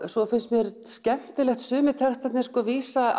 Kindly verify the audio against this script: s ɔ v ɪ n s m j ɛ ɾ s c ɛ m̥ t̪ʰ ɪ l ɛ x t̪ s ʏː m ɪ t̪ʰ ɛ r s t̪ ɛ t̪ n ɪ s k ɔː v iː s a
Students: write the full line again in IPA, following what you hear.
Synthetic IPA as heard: s ɔ f ɪ n s m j ɛ ɾ s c ɛ m̥ t̪ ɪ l ɛ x t̪ s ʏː m ɪ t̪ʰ ɛ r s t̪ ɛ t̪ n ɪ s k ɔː v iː s a

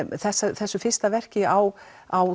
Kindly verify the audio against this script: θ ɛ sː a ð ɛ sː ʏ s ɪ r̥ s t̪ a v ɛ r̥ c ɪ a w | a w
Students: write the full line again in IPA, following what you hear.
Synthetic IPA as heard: θ ɛ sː a θ ɛ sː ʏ f ɪ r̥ s t̪ a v ɛ r̥ c ɪ a w | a w

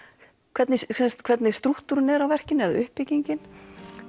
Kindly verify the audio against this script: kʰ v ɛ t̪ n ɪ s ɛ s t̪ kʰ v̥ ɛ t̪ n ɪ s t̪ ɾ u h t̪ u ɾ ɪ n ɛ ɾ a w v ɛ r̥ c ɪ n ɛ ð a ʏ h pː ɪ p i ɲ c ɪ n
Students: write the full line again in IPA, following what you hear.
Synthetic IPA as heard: kʰ v ɛ t̪ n ɪ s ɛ s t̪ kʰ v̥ ɛ t̪ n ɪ s t̪ ɾ u h t̪ u ɾ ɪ n ɛ ɾ a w v ɛ r̥ c ɪ n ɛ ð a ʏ h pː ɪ c i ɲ c ɪ n

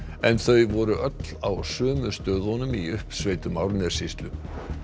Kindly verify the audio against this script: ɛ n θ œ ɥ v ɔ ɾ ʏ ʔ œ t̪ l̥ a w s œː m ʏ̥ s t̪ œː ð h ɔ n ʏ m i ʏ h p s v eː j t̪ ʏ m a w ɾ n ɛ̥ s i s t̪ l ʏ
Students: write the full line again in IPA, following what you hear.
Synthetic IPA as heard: ɛ n θ œ ɥ v ɔ ɾ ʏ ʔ œ t̪ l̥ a w s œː m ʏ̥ s t̪ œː ð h ɔ n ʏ m i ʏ h p s v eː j t̪ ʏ m a w ɾ n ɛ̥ s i s t̪ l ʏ

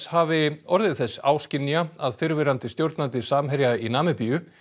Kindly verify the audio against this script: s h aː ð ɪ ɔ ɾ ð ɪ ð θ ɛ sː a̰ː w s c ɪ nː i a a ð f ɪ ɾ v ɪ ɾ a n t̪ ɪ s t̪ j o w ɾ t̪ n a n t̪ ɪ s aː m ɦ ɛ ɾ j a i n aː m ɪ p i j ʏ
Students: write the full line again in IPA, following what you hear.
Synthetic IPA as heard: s h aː v ɪ ɔ ɾ ð ɪ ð θ ɛ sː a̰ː w s c ɪ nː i a a ð f ɪ ɾ v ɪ ɾ a n t̪ ɪ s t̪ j o w ɾ t̪ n a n t̪ ɪ s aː m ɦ ɛ ɾ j a i n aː m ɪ p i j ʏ

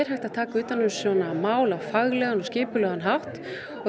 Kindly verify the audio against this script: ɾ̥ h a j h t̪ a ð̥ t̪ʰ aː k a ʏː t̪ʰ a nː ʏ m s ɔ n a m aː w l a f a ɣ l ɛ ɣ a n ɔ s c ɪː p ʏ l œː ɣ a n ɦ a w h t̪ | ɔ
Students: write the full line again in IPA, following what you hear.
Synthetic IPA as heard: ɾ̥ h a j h t̪ a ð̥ t̪ʰ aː k a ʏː t̪ a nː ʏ m s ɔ n a m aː w l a f a ɣ l ɛ ɣ a n ɔ s c ɪː p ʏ l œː ɣ a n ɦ a w h t̪ | ɔ

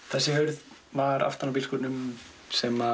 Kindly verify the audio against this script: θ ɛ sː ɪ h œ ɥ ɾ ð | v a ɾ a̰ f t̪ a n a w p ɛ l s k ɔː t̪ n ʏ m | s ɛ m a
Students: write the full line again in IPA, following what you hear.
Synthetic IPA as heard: θ ɛ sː ɪ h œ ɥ ɾ ð | v a ɾ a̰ f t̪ a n a w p i l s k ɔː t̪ n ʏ m | s ɛ m a

